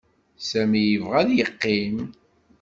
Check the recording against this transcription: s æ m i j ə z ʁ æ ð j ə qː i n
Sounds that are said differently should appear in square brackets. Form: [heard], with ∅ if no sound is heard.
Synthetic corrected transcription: s æ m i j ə [v] ʁ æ ð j ə qː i [m]